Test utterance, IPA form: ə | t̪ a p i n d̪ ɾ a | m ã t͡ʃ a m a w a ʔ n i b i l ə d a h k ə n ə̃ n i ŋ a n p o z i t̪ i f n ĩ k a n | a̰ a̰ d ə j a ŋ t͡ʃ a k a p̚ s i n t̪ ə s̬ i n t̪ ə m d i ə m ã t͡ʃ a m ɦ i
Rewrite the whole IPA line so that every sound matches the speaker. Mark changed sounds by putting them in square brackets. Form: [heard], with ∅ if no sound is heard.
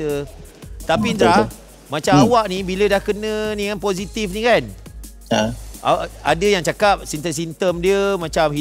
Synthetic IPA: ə | t̪ a p i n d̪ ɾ a | m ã t͡ʃ a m a w a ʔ n i b i l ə d a h k ə n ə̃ n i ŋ a n p o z i t̪ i f n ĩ k a n | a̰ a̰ d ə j a ŋ t͡ʃ a k a p̚ s i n t̪ ə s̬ i n t̪ ə m d i ə m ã t͡ʃ a m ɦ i